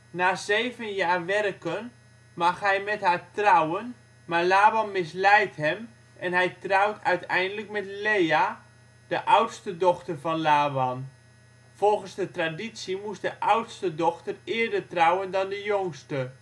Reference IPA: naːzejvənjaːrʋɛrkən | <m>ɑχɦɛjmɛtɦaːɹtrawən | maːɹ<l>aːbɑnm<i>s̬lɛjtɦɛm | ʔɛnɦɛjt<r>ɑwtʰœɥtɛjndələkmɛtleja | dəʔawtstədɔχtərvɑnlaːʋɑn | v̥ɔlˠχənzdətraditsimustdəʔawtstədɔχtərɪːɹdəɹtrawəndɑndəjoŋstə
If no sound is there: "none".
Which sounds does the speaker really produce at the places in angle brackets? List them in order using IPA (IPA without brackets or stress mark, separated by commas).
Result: m, l, ɪ, r